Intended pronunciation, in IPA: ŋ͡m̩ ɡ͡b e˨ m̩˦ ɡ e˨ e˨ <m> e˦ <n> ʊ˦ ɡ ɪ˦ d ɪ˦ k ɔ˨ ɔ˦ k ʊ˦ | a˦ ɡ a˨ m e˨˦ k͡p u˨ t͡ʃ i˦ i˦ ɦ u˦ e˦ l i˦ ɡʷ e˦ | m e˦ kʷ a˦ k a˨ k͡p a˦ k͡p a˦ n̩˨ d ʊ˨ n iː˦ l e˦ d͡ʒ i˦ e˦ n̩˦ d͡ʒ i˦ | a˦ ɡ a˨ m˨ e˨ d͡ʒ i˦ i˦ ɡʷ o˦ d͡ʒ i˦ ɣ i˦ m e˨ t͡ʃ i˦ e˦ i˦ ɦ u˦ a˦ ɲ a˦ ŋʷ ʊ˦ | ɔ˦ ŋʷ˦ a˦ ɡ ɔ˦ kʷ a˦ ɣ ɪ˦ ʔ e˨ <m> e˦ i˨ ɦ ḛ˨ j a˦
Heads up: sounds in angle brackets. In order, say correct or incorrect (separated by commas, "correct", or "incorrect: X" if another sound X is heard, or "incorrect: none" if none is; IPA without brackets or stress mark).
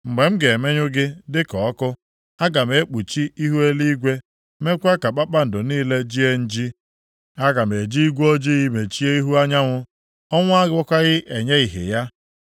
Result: correct, incorrect: ɲ, incorrect: ɲ